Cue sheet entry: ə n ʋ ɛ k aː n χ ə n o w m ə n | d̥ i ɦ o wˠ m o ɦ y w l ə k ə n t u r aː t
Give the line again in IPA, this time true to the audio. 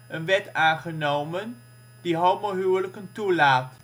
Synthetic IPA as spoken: ə n ʋ ɛ t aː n χ ə n o w m ə n | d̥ i ɦ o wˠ m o ɦ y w l ə k ə n t u l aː t